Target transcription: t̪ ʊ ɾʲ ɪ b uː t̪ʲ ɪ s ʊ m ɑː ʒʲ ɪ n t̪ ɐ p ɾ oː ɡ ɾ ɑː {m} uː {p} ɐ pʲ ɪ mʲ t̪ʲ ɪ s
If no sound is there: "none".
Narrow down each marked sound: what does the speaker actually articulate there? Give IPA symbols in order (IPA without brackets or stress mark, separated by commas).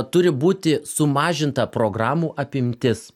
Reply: m, ʔ